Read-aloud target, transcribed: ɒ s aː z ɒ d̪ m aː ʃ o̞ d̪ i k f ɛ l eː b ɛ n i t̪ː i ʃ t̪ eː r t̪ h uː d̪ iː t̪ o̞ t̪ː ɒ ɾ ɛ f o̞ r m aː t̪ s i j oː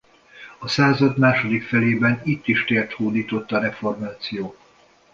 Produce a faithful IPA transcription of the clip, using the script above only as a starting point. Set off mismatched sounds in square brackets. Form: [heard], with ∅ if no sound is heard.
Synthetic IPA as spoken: ɒ s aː z ɒ d̪ m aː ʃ o̞ d̪ i k f ɛ l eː b ɛ n i t̪ː i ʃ t̪ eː r t̪ h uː d̪ iː t̪ o̞ t̪ː ɒ ɾ ɛ f o̞ r m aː t̪ s i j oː